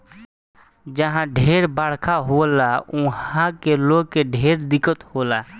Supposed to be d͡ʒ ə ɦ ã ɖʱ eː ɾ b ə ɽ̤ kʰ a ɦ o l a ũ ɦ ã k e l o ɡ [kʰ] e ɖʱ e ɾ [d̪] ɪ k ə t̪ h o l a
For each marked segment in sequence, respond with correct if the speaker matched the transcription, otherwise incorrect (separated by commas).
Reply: incorrect, correct